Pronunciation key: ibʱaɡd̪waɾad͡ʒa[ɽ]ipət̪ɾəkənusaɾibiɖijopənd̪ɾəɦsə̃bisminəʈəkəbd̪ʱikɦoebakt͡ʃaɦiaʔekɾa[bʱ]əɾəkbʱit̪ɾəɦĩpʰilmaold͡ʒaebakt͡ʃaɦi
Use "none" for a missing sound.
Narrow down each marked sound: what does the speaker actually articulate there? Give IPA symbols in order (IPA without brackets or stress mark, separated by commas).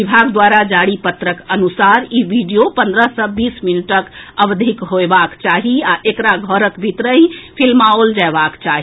ɽ, ɡʱ